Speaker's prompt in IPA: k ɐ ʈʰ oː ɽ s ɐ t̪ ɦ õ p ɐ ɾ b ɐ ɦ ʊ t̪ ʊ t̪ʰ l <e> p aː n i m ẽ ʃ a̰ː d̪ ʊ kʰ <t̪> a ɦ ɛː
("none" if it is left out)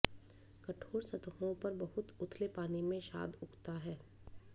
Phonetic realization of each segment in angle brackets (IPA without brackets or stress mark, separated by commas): e, t̪